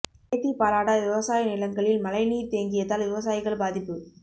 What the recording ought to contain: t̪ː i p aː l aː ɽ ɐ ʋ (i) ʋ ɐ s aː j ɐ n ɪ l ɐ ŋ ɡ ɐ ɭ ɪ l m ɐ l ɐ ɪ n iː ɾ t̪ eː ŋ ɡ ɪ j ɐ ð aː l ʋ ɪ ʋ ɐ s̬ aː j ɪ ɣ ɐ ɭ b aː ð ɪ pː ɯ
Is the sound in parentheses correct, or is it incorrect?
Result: incorrect